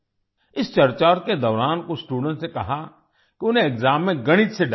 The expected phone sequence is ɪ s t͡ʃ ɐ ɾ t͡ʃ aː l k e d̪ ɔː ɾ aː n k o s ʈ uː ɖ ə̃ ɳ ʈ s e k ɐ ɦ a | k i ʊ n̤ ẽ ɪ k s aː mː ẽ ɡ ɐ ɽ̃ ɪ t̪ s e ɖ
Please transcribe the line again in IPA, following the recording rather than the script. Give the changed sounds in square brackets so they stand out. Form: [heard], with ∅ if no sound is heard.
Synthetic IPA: ɪ s t͡ʃ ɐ ɾ t͡ʃ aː [ɾ] k e d̪ ɔː ɾ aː n k o s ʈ uː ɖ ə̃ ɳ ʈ s e k ɐ ɦ a | k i ʊ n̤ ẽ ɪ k [z] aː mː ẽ ɡ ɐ ɽ̃ ɪ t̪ s e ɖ